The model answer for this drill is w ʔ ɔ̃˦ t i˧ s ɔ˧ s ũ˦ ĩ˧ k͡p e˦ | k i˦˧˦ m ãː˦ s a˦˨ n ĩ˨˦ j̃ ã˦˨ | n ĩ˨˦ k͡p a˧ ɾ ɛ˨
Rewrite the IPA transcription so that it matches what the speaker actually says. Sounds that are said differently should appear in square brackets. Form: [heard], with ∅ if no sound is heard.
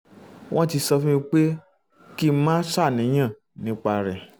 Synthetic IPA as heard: w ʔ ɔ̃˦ t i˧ s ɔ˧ [f] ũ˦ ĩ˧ k͡p e˦ | k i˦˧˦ m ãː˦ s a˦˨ n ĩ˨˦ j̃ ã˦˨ | n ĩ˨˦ k͡p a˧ ɾ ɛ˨

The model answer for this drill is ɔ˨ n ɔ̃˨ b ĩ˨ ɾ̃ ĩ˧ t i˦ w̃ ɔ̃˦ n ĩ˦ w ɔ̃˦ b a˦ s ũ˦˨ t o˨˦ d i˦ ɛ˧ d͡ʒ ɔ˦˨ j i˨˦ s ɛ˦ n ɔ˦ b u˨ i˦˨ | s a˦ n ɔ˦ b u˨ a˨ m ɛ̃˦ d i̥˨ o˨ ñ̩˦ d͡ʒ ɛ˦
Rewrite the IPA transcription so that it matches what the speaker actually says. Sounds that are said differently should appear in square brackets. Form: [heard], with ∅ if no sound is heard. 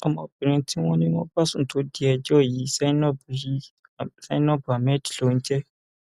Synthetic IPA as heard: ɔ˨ [m] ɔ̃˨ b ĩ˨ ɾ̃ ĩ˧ t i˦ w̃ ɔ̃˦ n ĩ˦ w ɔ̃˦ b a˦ s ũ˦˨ t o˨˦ d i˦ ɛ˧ d͡ʒ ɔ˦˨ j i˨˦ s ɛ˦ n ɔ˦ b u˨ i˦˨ | s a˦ n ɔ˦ b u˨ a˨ m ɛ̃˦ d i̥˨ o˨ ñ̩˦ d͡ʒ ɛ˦

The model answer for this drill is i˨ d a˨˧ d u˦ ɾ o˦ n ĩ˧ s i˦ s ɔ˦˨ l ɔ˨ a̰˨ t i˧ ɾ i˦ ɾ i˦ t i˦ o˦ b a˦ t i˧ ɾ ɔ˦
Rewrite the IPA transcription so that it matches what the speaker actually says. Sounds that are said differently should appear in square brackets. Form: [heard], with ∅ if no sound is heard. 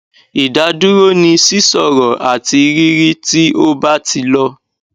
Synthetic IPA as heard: i˨ d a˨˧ d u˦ ɾ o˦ n ĩ˧ s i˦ s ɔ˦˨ [ɾ] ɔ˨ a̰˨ t i˧ ɾ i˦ ɾ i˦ t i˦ o˦ b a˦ t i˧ [l] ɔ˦

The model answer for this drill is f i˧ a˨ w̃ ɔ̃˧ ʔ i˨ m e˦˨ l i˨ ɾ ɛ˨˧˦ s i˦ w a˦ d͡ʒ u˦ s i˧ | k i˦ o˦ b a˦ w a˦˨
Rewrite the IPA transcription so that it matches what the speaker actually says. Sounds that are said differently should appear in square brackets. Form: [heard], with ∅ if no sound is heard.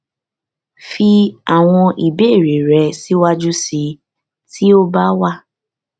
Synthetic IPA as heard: f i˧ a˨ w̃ ɔ̃˧ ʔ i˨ [b] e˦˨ [ɾ] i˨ ɾ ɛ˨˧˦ s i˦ w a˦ d͡ʒ u˦ s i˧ | [t] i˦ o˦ b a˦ w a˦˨

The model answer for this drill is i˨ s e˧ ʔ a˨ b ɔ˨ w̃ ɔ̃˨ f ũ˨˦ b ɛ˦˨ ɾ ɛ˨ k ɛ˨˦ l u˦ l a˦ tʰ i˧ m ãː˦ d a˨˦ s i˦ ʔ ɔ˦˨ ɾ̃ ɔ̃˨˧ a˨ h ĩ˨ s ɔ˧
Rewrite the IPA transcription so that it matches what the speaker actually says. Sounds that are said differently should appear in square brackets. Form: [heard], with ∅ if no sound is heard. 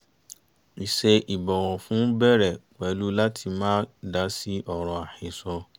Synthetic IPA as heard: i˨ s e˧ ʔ [i˨] b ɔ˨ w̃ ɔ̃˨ f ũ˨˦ b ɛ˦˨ ɾ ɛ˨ [k͡p] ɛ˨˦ l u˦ l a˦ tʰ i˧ m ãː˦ d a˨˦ s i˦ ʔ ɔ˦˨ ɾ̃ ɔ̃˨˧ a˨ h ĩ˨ s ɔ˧

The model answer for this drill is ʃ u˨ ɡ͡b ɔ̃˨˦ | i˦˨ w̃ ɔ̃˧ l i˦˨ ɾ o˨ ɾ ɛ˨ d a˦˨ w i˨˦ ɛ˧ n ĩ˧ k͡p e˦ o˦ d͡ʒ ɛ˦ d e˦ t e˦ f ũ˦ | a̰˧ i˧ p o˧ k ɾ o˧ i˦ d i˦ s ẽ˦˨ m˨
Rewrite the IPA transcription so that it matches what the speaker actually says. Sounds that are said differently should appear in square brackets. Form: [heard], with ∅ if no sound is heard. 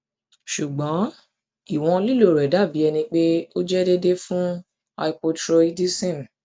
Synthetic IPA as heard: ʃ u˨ ɡ͡b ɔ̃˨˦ | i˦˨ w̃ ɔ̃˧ l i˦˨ [l] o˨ ɾ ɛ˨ d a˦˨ [b] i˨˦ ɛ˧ n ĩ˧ k͡p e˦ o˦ d͡ʒ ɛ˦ d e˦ [d] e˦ f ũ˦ | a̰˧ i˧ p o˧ [t] ɾ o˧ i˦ d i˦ s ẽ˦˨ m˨

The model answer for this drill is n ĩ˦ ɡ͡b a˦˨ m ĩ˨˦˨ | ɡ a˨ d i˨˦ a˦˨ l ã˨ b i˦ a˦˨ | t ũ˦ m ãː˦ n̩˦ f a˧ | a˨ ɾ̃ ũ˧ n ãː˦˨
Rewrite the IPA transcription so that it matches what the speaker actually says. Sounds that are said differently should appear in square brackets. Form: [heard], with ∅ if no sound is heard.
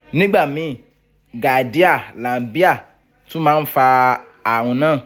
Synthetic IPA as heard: n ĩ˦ ɡ͡b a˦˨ m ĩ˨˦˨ | ɡ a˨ d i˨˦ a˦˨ l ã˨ b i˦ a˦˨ | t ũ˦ m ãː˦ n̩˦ f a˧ | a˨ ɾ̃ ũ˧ n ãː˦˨

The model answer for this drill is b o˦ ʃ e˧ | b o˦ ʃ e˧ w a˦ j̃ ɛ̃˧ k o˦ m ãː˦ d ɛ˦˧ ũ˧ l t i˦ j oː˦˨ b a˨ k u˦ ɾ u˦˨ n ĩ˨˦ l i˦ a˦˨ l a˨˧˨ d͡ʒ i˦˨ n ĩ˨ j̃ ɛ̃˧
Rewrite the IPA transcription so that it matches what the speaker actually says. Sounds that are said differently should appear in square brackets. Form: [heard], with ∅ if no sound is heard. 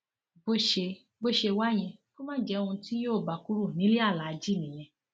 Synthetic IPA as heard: b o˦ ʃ e˧ | b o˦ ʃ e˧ w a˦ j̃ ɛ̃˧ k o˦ m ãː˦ [d͡ʒ] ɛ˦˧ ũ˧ [∅] t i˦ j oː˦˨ b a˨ k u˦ ɾ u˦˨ n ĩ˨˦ l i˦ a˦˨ l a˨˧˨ d͡ʒ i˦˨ n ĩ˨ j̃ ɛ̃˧

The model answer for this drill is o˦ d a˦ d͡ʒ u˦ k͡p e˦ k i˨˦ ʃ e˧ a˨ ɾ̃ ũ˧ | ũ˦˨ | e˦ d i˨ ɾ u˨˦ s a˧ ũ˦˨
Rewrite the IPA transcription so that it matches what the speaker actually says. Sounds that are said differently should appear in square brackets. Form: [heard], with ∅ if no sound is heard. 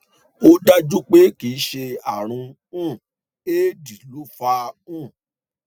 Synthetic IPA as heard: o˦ d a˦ d͡ʒ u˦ k͡p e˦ k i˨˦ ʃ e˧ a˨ ɾ̃ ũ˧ | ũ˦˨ | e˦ d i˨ [l] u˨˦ [f] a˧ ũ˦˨

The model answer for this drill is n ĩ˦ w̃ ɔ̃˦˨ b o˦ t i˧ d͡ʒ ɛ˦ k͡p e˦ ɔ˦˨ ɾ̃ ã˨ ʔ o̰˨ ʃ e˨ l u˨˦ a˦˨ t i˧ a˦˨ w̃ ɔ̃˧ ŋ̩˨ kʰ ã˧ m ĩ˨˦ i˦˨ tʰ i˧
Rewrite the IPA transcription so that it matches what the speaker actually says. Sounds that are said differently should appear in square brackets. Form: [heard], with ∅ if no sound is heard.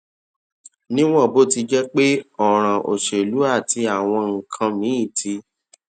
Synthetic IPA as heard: n ĩ˦ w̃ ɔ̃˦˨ b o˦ t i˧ d͡ʒ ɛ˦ k͡p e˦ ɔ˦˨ ɾ̃ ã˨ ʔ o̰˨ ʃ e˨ l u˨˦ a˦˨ t i˧ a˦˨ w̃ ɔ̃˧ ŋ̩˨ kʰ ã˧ m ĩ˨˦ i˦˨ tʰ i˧

